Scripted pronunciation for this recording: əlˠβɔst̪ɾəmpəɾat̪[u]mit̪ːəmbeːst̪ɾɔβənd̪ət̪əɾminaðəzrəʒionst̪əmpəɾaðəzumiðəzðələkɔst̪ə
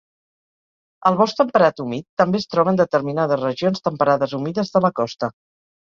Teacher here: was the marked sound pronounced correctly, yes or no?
yes